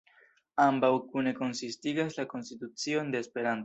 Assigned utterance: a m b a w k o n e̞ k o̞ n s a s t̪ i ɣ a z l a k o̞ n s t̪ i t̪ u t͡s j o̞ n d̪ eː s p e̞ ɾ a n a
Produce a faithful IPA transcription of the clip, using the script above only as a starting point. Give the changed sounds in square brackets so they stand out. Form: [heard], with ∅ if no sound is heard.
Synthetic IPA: a m b a w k [u] n e̞ k o̞ n s [i] s t̪ i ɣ a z l a k o̞ n s t̪ i t̪ u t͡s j o̞ n d̪ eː s p e̞ ɾ a n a